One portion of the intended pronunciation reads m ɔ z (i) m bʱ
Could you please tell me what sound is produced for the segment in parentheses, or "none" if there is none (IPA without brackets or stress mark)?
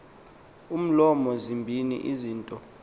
i